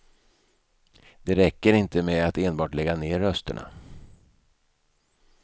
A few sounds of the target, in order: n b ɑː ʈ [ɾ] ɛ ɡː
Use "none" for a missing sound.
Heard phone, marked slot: l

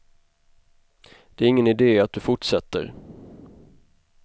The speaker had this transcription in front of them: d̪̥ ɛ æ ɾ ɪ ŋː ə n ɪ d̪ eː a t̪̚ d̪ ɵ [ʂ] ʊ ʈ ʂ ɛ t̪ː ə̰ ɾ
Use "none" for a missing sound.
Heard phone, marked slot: f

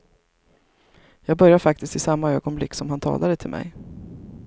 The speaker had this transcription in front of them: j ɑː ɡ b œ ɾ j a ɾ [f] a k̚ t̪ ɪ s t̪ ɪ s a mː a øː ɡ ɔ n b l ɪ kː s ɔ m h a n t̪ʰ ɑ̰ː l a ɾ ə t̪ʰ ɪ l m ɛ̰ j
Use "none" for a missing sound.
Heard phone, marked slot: f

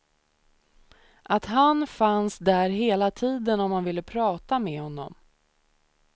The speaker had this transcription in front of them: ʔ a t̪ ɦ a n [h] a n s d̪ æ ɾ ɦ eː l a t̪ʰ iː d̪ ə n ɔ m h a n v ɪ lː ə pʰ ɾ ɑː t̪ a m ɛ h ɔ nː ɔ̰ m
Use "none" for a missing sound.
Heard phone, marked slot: f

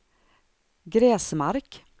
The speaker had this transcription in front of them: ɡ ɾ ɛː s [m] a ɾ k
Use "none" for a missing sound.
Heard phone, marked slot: m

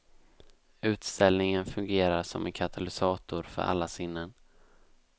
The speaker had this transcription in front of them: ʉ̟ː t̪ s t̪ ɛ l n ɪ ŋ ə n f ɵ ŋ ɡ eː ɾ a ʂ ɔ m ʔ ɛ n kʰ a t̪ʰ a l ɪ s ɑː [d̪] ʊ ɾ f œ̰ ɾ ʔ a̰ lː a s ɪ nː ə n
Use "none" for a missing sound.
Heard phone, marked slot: t̪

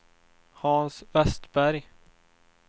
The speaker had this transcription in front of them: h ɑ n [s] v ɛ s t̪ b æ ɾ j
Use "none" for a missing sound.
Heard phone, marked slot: s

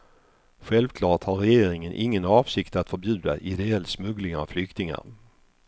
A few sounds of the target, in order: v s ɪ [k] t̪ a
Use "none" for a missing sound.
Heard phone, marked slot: k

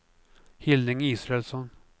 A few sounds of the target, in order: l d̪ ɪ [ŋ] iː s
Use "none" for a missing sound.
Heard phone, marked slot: ŋ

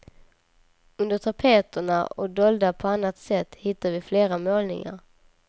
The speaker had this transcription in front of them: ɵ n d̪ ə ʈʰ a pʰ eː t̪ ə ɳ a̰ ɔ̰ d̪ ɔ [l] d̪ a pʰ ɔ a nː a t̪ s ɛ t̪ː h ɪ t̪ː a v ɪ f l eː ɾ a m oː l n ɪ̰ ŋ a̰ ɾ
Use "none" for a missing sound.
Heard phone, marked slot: l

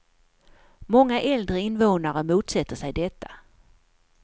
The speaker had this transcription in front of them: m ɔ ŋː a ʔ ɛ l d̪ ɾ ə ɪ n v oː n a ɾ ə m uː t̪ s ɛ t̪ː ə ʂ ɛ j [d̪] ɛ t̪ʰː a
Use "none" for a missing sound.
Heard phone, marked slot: d̪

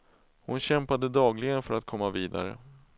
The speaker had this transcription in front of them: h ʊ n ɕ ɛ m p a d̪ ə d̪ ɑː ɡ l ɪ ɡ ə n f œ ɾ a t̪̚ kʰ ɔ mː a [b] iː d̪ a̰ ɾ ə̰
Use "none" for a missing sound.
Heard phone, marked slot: v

